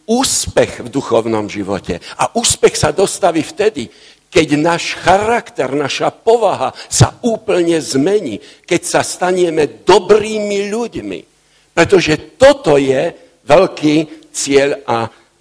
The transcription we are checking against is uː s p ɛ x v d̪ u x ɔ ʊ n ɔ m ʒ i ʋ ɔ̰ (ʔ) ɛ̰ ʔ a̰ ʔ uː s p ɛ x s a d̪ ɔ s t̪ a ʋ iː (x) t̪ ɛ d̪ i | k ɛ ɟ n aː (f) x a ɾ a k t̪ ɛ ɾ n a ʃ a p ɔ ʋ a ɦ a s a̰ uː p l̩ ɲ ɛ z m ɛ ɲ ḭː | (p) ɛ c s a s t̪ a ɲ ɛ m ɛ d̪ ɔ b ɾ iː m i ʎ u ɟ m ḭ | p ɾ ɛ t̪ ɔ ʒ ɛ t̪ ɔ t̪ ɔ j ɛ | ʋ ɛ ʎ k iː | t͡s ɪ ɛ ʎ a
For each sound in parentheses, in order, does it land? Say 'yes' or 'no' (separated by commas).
no, no, no, no